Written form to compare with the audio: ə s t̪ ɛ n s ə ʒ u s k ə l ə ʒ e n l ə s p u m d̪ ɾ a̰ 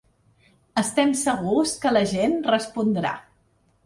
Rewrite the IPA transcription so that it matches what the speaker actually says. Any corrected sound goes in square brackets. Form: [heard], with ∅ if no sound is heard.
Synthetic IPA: ə s t̪ ɛ [m] s ə [ɣ] u s k ə l ə ʒ e n [r] ə s p u [n] d̪ ɾ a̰